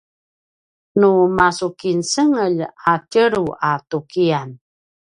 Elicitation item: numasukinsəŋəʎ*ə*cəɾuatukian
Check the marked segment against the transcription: incorrect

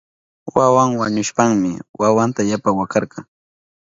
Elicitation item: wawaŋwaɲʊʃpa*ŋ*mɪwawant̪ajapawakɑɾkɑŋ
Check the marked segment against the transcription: correct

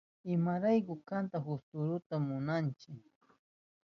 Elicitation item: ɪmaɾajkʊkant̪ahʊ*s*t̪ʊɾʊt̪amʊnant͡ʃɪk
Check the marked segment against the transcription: correct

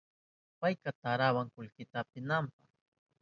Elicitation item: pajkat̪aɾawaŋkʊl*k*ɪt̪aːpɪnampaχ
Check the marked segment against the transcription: correct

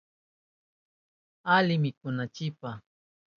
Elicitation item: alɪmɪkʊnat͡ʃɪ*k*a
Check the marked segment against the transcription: incorrect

